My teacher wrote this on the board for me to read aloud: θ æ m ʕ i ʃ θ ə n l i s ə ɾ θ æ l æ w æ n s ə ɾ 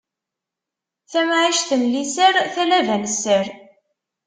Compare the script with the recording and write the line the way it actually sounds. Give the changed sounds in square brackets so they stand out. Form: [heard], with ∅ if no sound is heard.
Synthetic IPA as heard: θ æ m ʕ i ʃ θ ə n l i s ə ɾ θ æ l æ [v] æ n s ə ɾ